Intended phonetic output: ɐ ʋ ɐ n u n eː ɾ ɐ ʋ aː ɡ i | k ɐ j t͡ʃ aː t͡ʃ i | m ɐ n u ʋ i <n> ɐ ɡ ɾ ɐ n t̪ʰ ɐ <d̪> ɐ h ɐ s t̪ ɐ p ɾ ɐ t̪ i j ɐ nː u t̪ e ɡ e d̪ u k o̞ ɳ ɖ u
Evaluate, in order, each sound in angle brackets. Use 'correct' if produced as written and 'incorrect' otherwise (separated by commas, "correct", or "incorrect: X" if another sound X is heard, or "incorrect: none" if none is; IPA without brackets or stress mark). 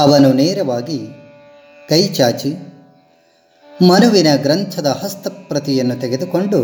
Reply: correct, correct